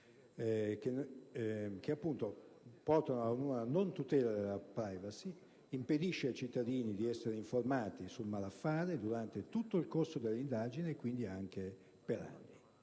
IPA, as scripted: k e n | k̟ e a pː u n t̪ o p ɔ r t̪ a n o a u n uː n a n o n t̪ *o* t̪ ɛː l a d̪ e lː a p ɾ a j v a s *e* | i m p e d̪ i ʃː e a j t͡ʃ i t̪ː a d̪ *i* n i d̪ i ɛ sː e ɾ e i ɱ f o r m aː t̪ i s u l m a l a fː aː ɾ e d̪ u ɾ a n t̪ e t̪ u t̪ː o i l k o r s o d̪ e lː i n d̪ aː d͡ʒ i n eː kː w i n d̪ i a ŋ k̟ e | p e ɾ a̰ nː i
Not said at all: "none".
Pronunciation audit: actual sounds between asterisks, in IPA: u, i, iː

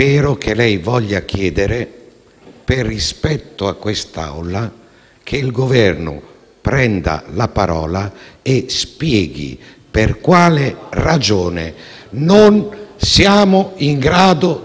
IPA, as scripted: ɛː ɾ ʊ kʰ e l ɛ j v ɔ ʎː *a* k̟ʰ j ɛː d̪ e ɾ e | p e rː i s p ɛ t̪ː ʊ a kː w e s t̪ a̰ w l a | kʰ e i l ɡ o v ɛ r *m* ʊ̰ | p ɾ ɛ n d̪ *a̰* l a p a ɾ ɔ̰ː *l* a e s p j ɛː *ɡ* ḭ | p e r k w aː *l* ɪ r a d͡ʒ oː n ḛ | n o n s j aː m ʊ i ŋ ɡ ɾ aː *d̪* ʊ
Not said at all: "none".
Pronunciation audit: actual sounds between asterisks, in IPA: a, n, a̰, l, ɡ, l, d̪

